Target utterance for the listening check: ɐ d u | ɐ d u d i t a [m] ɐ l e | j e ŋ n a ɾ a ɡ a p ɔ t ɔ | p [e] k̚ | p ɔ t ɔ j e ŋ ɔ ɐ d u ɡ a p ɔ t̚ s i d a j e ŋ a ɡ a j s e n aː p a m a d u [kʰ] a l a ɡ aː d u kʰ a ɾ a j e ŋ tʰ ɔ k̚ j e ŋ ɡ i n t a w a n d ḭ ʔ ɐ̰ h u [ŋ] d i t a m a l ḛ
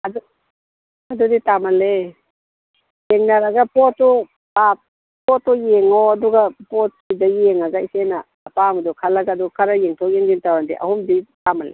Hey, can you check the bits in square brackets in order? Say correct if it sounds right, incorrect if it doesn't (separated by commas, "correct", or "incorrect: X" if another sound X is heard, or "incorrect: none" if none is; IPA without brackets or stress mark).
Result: correct, incorrect: a, correct, incorrect: m